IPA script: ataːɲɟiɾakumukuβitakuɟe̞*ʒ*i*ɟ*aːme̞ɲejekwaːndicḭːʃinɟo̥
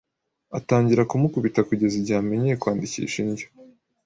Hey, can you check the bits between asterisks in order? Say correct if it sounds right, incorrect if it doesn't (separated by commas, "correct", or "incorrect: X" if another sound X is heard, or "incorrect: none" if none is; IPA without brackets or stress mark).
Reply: incorrect: z, correct